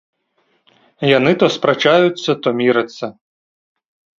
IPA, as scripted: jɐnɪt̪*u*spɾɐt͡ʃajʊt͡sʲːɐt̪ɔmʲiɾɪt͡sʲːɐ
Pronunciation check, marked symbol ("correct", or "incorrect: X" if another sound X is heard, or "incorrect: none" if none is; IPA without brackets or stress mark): incorrect: ɔ